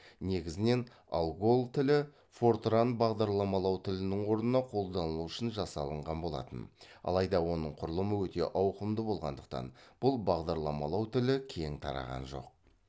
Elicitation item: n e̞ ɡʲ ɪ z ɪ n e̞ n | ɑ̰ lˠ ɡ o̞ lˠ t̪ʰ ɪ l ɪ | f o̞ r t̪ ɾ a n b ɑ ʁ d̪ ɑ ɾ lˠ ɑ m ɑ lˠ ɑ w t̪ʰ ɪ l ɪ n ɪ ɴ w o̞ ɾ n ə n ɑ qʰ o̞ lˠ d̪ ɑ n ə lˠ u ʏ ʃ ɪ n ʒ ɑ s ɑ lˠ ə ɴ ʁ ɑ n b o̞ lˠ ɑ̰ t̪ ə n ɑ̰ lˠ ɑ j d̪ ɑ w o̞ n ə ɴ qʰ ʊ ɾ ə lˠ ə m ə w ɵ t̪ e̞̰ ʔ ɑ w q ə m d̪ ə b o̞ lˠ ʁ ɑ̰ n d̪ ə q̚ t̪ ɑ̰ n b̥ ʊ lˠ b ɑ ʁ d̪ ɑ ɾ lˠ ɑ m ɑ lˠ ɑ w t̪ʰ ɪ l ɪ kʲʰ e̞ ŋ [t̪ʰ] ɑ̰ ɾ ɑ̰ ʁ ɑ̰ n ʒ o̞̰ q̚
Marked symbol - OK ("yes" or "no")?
yes